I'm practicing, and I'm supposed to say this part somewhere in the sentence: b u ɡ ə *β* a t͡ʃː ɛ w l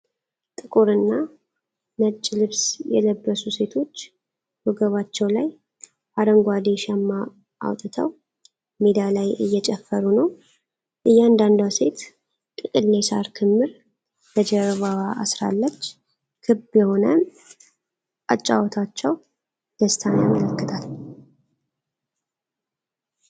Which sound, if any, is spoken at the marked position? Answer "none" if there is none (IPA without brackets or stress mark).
β